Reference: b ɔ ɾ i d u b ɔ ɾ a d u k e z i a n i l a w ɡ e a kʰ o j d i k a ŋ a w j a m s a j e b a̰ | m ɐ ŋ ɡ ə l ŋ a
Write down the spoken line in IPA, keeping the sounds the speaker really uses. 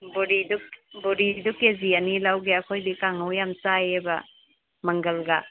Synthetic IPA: b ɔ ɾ i d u b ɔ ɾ i d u k e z i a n i l a w ɡ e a kʰ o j d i k a ŋ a w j a m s a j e b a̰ | m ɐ ŋ ɡ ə l ɡ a